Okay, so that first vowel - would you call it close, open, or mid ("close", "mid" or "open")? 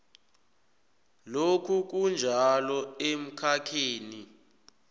mid